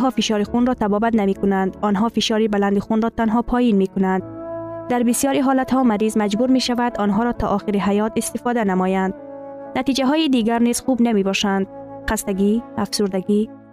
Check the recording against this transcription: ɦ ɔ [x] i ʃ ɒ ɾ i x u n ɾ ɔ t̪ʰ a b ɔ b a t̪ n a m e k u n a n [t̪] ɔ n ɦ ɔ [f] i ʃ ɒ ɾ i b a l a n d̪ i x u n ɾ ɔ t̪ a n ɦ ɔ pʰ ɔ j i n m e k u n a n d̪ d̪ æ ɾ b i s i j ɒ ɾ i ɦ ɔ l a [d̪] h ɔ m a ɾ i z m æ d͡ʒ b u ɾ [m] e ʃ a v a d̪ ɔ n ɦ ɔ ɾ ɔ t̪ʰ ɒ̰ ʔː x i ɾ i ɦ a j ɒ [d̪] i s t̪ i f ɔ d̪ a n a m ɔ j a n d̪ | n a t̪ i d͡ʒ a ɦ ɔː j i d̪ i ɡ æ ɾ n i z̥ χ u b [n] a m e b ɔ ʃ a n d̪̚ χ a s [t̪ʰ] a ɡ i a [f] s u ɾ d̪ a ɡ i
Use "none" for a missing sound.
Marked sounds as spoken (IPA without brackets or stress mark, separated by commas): f, d̪, f, t̪, m, t̪, n, t̪, f